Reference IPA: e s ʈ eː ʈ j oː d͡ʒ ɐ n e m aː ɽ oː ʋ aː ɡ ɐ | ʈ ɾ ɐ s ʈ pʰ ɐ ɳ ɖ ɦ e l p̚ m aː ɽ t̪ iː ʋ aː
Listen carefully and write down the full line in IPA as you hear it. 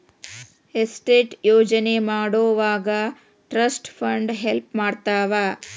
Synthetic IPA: e s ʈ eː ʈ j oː d͡ʒ ɐ n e m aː ɽ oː ʋ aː ɡ ɐ | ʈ ɾ ɐ s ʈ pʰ ɐ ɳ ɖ ɦ e l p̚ m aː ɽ t̪ aː ʋ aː

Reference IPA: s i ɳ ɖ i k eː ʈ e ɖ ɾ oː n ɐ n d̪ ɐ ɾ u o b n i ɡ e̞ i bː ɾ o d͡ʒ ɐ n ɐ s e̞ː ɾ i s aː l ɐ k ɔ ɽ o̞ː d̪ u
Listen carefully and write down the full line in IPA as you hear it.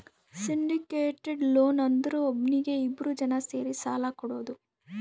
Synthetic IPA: s i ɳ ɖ i k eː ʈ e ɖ l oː n ɐ n d̪ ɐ ɾ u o b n i ɡ e̞ i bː ɾ u d͡ʒ ɐ n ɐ s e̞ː ɾ i s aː l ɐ k ɔ ɽ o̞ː d̪ u

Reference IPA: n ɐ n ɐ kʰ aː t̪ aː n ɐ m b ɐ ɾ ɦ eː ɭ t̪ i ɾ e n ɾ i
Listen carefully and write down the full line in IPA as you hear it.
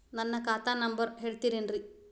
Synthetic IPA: n ɐ nː ɐ k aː t̪ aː n ɐ m b ɐ ɾ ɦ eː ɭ t̪ i ɾ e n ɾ i

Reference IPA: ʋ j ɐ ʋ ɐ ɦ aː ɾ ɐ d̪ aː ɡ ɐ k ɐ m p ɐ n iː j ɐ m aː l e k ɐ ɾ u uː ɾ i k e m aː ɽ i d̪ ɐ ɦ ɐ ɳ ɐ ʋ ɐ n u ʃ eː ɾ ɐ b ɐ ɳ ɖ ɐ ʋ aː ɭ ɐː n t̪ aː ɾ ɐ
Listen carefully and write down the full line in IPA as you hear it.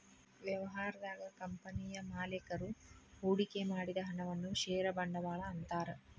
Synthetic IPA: ʋ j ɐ ʋ ɐ ɦ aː ɾ ɐ d̪ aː ɡ ɐ k ɐ m p ɐ n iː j ɐ m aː l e k ɐ ɾ u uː ɽ i k e m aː ɽ i d̪ ɐ ɦ ɐ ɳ ɐ ʋ ɐ nː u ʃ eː ɾ ɐ b ɐ ɳ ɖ ɐ ʋ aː ɭ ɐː n t̪ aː ɾ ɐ

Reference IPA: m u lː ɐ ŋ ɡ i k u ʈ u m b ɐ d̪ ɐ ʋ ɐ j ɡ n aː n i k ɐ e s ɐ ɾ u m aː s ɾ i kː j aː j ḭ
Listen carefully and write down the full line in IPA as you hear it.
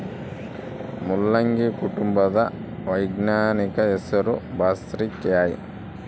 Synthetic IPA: m u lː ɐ ŋ ɡ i k u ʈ u m b ɐ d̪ ɐ ʋ ɐ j ɡ n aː n i k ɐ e s ɐ ɾ u b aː s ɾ i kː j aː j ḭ

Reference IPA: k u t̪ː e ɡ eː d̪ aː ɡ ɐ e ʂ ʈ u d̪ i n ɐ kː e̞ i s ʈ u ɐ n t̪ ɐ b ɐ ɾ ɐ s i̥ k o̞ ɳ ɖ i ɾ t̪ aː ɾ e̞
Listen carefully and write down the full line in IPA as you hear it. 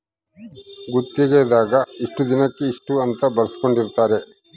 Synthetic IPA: ɡ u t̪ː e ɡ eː d̪ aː ɡ ɐ i ʂ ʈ u d̪ i n ɐ kː e̞ i ʂ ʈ u ɐ n t̪ ɐ b ɐ ɾ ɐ s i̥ k o̞ ɳ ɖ i ɾ t̪ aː ɾ e̞

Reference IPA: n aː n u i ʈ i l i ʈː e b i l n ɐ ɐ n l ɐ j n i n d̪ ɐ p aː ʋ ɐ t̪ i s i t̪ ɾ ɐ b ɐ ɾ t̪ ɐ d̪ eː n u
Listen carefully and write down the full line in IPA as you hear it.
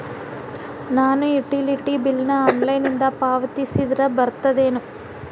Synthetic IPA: n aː n u i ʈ i l i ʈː i b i l n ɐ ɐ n l ɐ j n i n d̪ ɐ p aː ʋ ɐ t̪ i s i d̪ ɾ ɐ b ɐ ɾ t̪ ɐ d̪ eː n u

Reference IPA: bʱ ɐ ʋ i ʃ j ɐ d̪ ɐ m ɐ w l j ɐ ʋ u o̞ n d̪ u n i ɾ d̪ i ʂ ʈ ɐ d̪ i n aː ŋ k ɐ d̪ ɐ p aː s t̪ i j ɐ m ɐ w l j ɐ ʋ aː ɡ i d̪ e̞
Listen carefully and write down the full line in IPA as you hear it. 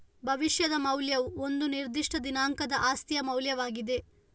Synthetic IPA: bʱ ɐ ʋ i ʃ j ɐ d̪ ɐ m ɐ w l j ɐ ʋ u o̞ n d̪ u n i ɾ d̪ i ʂ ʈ ɐ d̪ i n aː ŋ k ɐ d̪ ɐ ʔ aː s t̪ i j ɐ m ɐ w l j ɐ ʋ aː ɡ i d̪ e̞

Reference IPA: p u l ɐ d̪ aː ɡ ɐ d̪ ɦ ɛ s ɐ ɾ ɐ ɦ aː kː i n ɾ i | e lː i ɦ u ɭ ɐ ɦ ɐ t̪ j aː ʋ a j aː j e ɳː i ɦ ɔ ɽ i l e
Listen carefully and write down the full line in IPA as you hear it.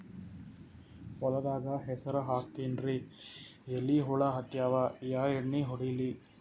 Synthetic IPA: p ɔ l ɐ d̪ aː ɡ ɐ ɦ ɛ s ɐ ɾ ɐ ɦ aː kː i n ɾ i | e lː i ɦ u ɭ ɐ ɦ ɐ t̪ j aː ʋ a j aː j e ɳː i ɦ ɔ ɽ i l i

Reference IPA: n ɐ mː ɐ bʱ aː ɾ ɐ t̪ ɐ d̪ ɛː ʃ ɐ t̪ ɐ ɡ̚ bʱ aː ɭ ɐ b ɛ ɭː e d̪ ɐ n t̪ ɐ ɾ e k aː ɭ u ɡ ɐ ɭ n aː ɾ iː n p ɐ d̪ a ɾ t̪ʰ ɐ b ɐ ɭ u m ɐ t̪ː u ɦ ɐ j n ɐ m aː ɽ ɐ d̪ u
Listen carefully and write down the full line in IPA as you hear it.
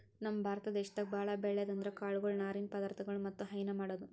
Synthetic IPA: n ɐ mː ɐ bʱ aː ɾ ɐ t̪ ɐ d̪ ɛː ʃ ɐ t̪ ɐ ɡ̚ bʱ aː ɭ ɐ b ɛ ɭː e d̪ ɐ n d̪ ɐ ɾ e k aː ɭ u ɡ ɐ ɭ n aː ɾ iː n p ɐ d̪ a ɾ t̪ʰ ɐ ɡ ɐ ɭ u m ɐ t̪ː u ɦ ɐ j n ɐ m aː ɽ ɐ d̪ u

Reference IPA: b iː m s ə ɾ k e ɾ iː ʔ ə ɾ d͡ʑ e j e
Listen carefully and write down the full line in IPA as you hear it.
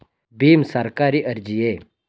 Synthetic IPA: b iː m s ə ɾ k a ɾ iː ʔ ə ɾ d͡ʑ i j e

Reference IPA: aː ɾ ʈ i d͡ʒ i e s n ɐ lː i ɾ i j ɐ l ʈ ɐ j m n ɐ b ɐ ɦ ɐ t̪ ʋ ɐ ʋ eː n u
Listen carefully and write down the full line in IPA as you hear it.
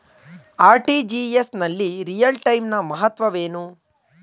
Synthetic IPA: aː ɾ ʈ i d͡ʒ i e s n ɐ lː i ɾ i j ɐ l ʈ ɐ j m n ɐ m ɐ ɦ ɐ t̪ ʋ ɐ ʋ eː n u

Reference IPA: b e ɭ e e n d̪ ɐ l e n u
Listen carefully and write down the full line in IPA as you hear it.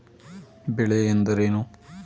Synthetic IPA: b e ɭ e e n d̪ ɐ ɾ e n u

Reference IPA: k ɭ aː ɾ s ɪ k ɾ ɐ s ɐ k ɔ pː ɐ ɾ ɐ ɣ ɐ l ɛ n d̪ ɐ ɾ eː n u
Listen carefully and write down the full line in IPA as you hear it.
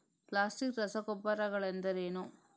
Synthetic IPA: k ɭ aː s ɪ k ɾ ɐ s ɐ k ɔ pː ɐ ɾ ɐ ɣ ɐ ɭ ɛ n d̪ ɐ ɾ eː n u

